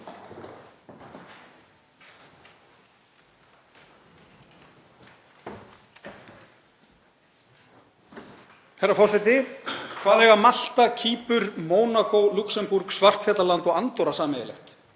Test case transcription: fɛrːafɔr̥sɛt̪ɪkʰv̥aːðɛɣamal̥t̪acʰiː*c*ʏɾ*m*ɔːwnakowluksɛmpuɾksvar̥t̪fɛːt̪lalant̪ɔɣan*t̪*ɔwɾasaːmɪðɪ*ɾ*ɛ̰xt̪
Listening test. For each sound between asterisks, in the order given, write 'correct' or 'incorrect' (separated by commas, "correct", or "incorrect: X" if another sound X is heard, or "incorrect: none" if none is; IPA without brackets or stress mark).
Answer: incorrect: p, correct, correct, incorrect: l